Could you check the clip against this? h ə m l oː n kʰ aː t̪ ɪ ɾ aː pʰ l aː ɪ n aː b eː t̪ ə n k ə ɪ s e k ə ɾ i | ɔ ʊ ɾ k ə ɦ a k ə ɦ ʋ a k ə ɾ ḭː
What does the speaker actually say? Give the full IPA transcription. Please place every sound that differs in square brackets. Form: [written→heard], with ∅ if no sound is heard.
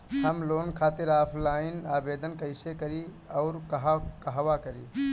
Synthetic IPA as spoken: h ə m l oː n kʰ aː t̪ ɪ ɾ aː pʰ l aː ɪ n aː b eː [t̪→d̪] ə n k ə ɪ s e k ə ɾ i | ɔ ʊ ɾ k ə ɦ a k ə ɦ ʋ a k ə ɾ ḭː